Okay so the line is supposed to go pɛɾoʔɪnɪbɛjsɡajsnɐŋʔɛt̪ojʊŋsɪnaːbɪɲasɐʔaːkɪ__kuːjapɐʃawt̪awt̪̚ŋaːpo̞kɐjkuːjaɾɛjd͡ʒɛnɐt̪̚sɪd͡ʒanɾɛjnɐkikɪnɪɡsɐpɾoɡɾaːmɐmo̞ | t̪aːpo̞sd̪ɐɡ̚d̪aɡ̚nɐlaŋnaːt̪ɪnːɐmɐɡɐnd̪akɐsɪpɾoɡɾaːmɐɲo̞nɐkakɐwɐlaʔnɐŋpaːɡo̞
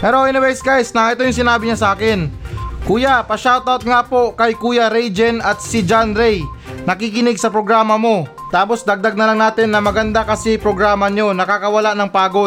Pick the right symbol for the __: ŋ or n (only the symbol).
n